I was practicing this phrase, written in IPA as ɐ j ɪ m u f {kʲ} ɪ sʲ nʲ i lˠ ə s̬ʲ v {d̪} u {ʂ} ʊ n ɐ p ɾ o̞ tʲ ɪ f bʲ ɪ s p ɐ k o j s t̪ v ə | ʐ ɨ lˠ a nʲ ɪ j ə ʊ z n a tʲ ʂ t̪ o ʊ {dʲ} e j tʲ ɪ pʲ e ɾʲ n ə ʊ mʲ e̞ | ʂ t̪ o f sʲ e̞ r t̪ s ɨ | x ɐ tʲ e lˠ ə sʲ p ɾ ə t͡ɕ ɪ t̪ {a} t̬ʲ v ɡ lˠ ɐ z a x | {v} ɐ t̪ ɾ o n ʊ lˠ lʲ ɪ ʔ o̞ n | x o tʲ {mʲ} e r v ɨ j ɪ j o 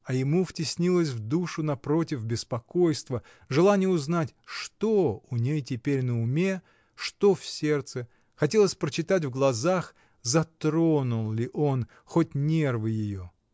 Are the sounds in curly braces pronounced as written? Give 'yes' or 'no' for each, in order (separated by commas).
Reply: no, yes, yes, no, yes, no, no